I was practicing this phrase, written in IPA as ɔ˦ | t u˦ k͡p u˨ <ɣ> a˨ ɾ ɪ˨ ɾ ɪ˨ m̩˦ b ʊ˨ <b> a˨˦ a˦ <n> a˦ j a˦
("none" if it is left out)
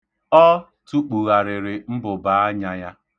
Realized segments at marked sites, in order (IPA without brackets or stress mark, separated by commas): ɣ, b, ɲ